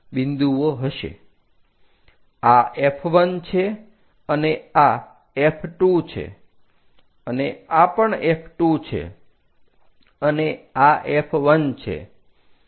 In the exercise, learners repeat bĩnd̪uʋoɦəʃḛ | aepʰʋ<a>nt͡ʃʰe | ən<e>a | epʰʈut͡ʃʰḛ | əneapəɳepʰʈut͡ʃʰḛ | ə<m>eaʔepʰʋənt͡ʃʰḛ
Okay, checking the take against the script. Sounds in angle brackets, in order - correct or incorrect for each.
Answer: incorrect: ə, correct, incorrect: n

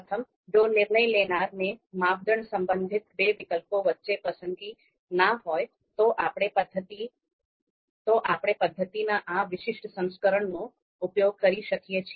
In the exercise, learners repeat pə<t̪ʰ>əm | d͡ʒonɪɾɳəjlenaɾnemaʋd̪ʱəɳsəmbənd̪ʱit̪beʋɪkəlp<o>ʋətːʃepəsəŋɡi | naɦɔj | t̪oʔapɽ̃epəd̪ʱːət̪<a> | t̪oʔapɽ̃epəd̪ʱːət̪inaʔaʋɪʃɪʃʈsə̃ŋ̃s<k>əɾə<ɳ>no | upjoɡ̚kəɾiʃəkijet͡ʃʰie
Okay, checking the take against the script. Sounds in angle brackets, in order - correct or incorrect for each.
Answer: correct, correct, incorrect: i, correct, correct

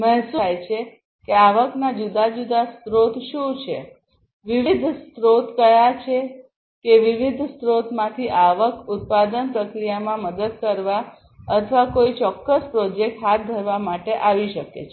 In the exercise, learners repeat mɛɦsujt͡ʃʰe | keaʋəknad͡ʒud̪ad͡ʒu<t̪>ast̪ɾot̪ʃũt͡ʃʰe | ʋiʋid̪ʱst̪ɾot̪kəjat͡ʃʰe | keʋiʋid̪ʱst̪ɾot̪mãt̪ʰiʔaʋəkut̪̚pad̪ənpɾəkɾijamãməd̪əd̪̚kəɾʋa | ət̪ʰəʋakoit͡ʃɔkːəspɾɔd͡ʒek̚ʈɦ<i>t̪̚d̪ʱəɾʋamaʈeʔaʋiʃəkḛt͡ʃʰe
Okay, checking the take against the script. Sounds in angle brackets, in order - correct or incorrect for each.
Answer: incorrect: d̪, incorrect: a

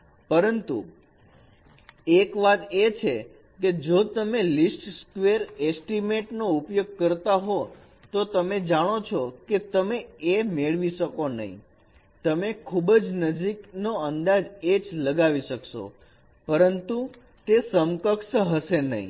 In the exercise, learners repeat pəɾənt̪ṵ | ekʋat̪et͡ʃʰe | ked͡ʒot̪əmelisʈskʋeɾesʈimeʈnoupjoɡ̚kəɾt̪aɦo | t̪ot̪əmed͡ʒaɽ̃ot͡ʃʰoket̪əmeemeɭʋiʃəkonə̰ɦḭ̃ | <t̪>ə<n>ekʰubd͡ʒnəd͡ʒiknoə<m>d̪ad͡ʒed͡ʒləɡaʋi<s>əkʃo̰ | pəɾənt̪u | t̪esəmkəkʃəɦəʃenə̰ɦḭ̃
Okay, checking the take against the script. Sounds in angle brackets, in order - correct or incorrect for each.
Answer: correct, incorrect: m, incorrect: n, incorrect: ʃ

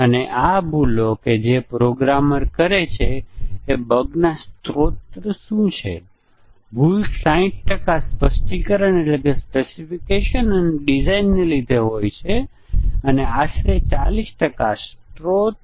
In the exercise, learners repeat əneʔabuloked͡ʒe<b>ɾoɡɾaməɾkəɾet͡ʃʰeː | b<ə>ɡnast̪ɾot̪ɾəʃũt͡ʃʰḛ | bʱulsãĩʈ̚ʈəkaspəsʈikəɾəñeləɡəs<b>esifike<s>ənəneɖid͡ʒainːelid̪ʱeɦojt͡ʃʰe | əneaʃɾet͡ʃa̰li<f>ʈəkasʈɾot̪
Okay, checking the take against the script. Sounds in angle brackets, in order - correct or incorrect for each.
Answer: incorrect: p, correct, incorrect: p, incorrect: ʃ, incorrect: s

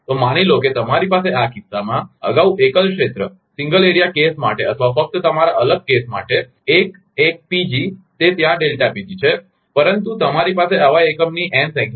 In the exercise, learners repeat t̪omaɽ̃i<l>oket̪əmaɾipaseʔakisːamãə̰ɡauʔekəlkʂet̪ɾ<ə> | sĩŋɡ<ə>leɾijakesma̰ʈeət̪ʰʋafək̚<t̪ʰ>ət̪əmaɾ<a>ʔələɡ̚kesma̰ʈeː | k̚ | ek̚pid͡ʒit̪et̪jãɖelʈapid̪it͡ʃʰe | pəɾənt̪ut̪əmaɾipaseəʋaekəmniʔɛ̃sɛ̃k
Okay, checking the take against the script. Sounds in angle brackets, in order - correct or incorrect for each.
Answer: correct, correct, correct, incorrect: t̪, correct

